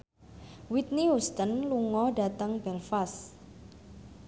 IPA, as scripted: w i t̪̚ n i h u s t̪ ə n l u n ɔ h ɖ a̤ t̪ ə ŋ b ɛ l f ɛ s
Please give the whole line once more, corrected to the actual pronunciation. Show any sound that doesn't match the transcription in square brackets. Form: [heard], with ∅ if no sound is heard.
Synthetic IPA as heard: w i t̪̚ n i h u s t̪ ə n l u [ŋ] ɔ h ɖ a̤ t̪ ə ŋ b ɛ l f [a] s